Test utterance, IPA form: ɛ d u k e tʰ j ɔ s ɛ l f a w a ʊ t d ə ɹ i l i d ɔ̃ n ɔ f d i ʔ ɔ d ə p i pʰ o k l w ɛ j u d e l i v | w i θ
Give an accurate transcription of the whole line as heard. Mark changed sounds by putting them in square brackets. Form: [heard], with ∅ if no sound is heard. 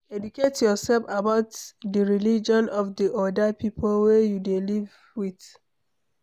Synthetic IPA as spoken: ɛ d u k e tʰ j ɔ s ɛ l f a [b] a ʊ t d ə ɹ i l i [d͡ʒ] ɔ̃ n ɔ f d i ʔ ɔ d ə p i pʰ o [∅] l w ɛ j u d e l i v | w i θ